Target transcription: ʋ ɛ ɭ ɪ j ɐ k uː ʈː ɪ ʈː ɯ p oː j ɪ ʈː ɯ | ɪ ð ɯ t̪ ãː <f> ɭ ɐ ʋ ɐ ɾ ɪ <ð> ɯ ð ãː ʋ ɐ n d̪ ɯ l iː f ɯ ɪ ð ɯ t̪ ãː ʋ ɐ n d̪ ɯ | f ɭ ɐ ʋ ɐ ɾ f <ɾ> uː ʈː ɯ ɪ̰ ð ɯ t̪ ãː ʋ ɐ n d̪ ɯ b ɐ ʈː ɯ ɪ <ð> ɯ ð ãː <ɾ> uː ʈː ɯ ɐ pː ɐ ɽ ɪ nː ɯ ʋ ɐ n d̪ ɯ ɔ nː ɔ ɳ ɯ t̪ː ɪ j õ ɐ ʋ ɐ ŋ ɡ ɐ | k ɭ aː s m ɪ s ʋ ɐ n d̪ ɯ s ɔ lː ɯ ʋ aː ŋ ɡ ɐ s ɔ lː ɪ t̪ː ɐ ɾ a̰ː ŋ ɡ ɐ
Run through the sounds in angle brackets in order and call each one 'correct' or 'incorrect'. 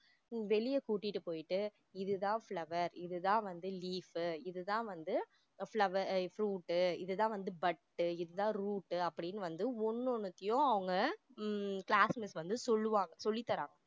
correct, correct, correct, correct, correct

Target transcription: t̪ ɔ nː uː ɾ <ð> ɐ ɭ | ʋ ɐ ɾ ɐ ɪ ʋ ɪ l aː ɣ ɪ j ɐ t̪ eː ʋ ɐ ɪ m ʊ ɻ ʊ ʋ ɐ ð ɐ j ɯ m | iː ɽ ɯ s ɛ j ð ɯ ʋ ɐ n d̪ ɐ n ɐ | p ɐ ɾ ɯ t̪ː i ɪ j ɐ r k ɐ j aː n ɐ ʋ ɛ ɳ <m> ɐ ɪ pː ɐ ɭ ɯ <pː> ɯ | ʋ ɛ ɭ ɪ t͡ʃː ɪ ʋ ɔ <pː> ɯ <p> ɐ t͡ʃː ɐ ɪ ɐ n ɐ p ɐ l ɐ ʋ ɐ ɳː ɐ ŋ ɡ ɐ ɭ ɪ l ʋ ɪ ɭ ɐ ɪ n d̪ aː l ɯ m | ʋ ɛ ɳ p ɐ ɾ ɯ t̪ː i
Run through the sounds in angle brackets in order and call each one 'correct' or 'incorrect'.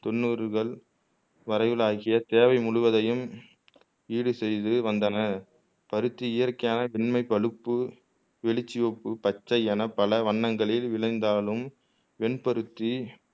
incorrect, correct, correct, correct, correct

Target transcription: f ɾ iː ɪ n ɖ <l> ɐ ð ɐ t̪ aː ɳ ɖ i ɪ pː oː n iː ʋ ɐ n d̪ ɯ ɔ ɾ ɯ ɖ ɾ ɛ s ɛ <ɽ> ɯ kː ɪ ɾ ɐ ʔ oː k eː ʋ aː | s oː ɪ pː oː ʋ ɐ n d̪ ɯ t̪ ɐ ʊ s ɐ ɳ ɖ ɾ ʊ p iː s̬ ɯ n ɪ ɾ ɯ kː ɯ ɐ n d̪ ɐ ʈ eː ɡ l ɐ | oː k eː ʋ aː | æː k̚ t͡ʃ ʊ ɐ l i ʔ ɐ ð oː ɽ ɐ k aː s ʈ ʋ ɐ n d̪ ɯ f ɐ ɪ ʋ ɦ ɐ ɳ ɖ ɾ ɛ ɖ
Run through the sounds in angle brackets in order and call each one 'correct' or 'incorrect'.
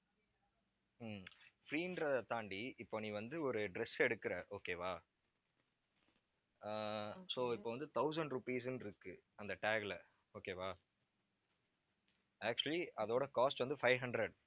incorrect, correct

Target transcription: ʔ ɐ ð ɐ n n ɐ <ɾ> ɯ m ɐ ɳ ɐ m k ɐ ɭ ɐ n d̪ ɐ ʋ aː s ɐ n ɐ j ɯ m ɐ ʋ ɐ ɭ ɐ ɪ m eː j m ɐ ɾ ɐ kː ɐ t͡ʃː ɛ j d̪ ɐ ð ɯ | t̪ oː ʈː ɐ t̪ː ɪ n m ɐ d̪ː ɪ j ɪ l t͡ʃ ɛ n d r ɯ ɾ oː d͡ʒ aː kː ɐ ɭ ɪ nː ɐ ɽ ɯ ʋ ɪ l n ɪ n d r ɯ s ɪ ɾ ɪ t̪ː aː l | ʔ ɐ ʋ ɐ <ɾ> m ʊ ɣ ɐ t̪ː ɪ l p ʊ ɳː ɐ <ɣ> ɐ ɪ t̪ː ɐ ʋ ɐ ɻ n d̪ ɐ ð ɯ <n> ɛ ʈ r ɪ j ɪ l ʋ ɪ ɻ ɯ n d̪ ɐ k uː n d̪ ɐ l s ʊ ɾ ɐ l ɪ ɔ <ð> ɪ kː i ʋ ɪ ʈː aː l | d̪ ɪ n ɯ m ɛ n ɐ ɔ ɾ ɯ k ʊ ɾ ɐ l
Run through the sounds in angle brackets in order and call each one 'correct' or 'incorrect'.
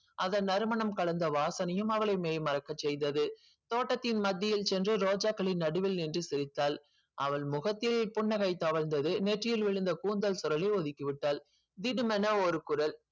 correct, incorrect, correct, correct, correct

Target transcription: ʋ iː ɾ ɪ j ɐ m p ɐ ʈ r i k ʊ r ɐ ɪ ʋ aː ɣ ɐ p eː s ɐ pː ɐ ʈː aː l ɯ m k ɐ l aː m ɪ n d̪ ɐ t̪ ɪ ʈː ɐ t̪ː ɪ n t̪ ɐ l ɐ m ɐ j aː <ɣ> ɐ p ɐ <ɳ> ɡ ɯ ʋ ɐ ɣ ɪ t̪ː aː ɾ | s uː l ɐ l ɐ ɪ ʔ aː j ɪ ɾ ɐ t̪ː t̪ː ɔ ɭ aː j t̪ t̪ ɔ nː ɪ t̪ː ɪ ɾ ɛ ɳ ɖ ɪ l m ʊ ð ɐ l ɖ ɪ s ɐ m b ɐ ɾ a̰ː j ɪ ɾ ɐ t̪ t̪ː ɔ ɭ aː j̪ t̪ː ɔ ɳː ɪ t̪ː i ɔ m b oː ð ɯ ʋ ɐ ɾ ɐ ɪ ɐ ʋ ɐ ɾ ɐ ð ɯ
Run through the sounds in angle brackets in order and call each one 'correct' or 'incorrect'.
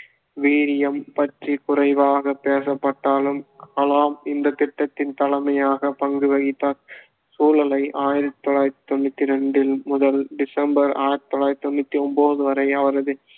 correct, incorrect

